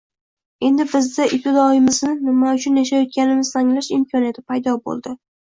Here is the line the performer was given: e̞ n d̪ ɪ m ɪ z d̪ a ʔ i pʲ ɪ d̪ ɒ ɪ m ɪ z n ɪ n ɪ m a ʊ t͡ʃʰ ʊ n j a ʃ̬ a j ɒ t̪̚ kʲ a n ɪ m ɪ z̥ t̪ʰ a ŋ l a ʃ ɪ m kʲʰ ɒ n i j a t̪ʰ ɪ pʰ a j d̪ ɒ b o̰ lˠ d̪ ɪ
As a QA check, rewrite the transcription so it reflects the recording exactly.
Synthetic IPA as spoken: e̞ n d̪ ɪ b ɪ z d̪ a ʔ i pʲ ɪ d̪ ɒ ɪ m ɪ z n ɪ n ɪ m a ʊ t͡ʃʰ ʊ n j a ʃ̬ a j ɒ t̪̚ kʲ a n ɪ m ɪ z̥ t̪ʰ a ŋ l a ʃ ɪ m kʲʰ ɒ n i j a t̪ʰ ɪ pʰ a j d̪ ɒ b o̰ lˠ d̪ ɪ